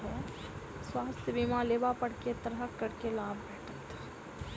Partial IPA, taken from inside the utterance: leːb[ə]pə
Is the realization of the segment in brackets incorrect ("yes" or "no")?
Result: yes